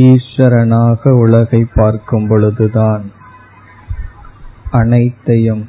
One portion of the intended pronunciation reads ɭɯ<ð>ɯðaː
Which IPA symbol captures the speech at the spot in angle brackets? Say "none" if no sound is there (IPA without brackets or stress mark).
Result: ð